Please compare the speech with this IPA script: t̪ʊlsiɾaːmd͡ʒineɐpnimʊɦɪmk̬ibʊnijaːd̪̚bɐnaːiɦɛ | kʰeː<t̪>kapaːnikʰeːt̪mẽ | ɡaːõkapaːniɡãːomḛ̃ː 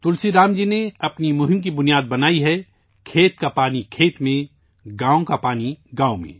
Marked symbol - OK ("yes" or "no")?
yes